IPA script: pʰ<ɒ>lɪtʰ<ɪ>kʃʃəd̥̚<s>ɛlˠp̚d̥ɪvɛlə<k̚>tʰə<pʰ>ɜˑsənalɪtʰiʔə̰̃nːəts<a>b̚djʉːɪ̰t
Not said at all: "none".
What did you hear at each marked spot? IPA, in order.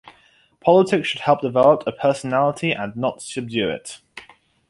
ɒ, ɪ, h, p̚, pʰ, ə

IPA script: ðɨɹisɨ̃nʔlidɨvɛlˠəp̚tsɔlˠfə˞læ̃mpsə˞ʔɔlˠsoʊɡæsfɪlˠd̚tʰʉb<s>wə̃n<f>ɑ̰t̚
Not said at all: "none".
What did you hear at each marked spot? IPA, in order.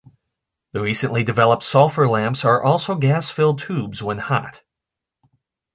z, h

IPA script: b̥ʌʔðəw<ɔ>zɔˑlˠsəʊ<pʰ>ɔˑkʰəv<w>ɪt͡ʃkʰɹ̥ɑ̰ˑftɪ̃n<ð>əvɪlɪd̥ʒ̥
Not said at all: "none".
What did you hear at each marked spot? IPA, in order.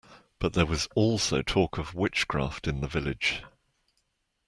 ɒ, tʰ, w, ð

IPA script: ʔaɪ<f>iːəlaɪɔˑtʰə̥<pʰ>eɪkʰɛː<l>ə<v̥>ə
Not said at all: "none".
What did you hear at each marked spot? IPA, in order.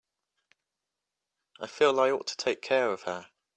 f, tʰ, ɹ, v̥

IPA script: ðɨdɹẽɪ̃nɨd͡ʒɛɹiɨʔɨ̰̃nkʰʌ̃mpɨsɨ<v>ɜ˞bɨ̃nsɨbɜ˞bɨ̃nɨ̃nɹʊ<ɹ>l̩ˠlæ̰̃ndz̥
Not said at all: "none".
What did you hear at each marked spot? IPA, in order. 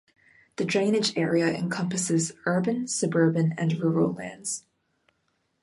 z, ɹ

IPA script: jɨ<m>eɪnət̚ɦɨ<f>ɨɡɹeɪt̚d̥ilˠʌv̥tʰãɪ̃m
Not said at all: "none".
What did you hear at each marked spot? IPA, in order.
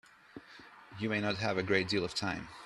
m, v

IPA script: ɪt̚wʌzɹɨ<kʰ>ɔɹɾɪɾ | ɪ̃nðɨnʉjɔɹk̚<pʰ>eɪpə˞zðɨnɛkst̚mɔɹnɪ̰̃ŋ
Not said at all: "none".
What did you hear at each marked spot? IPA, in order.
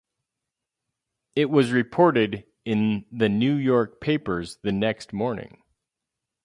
pʰ, pʰ

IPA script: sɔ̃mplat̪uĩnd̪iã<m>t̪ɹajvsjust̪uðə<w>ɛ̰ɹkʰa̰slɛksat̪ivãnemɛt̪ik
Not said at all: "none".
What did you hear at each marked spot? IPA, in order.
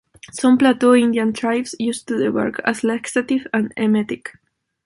n, w

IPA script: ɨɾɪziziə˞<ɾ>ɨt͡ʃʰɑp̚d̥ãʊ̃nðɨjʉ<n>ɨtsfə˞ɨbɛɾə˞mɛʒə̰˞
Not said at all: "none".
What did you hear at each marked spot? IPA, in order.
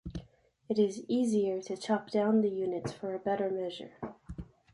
ɾ, n

